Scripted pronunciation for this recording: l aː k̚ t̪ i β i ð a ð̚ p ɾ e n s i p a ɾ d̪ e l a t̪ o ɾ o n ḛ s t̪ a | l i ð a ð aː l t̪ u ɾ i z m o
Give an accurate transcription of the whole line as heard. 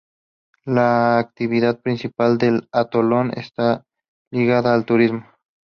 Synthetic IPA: l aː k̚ t̪ i β i ð a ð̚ p ɾ i n s i p a l d̪ e l a t̪ o l o n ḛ s t̪ a | l i ɣ a ð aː l t̪ u ɾ i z m o